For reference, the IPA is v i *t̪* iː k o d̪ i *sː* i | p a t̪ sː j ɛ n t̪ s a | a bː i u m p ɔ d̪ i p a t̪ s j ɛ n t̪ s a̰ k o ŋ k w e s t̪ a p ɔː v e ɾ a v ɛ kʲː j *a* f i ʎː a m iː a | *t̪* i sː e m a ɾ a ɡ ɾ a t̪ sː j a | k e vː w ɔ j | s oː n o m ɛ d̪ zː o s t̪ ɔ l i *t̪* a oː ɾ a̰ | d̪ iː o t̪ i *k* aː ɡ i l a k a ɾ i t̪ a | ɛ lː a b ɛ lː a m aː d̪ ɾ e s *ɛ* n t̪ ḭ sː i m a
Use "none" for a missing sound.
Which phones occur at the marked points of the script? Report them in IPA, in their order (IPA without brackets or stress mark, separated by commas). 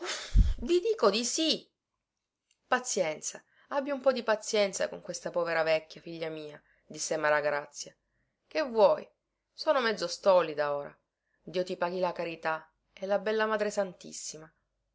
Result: d̪, s, a, d̪, d̪, p, a